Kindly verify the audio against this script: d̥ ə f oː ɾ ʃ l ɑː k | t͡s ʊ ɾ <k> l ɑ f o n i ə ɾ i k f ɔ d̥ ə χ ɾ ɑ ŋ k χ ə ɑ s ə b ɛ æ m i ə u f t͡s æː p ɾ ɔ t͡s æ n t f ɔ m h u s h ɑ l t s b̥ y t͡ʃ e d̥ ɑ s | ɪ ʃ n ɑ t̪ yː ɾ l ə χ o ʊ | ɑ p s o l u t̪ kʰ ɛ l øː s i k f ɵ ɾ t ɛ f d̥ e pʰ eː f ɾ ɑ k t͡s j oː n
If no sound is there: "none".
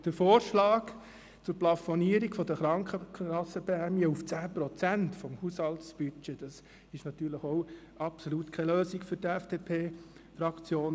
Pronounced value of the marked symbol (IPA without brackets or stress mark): p